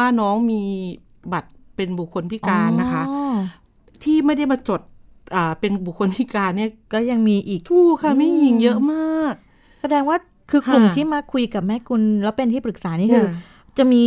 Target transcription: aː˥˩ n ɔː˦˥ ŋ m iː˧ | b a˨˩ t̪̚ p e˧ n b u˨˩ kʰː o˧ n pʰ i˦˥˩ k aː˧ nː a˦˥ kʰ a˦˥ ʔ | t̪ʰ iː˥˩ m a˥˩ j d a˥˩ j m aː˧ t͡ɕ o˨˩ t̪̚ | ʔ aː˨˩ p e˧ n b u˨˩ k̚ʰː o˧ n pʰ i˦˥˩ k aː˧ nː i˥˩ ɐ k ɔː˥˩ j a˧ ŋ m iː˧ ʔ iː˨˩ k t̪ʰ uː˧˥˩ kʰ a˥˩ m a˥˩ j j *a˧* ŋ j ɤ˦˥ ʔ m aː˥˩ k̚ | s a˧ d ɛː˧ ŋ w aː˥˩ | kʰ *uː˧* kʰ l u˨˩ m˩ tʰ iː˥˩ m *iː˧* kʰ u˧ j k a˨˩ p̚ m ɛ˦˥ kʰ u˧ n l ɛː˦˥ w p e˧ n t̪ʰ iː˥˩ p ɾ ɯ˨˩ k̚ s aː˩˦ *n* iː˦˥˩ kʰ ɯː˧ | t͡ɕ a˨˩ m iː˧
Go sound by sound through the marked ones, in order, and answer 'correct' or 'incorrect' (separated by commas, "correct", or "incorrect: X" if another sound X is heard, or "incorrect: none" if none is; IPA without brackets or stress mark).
incorrect: i˧, incorrect: ɯː˧, incorrect: aː˧, correct